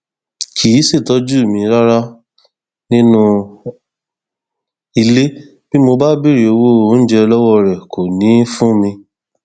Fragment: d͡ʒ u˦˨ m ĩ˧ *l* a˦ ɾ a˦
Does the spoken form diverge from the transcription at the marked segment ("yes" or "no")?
yes